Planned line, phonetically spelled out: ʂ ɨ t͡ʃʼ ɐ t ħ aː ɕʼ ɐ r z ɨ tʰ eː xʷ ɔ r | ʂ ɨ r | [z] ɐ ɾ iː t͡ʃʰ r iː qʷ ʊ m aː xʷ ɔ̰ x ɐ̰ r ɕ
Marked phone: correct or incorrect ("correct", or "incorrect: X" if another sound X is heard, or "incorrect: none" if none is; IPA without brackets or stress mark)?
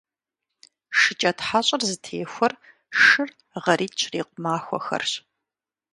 incorrect: ʁ